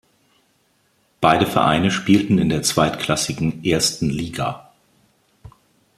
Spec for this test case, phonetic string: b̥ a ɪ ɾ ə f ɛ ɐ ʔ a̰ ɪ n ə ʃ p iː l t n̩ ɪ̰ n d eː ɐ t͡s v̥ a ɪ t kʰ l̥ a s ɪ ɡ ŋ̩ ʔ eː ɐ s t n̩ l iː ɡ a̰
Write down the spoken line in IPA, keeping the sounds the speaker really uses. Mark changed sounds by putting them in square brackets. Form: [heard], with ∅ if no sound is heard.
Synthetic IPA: b̥ a ɪ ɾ ə f ɛ ɐ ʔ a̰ ɪ n ə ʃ p iː l t n̩ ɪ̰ n d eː ɐ t͡s v̥ a ɪ t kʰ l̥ a s ɪ ɡ ŋ̩ ʔ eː ɐ s t n̩ l iː ɡ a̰